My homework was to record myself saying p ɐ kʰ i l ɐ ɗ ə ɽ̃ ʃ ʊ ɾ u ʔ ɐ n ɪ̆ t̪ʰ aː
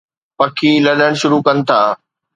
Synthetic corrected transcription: p ɐ kʰ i l ɐ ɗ ə ɽ̃ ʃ ʊ ɾ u k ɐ n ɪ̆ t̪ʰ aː